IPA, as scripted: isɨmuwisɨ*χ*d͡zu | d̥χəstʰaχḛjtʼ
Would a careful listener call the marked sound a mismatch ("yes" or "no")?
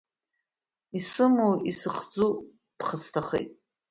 no